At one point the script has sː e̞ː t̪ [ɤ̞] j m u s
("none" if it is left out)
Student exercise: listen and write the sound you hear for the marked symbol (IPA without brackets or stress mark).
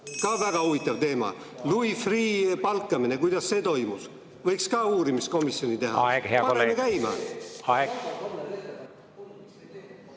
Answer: o̞